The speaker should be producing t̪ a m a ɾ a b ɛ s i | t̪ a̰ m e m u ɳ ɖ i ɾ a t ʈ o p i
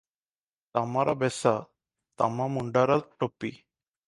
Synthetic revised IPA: t̪ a m a ɾ a b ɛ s a | t̪ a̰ m a m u ɳ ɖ a ɾ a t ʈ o p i